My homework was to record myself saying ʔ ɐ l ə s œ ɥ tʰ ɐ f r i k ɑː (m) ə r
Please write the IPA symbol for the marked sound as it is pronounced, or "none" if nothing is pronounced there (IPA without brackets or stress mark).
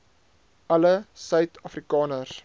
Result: n